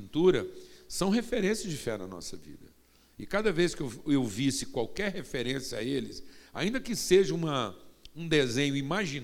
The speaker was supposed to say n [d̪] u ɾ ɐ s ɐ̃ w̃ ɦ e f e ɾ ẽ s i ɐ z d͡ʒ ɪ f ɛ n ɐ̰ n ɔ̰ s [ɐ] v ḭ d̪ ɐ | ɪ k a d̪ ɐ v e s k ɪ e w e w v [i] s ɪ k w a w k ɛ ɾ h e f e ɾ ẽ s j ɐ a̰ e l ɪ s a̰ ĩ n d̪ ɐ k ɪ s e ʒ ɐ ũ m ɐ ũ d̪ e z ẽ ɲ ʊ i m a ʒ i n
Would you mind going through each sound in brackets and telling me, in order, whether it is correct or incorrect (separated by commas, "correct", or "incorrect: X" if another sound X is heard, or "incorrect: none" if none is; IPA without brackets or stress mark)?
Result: incorrect: t̪, correct, correct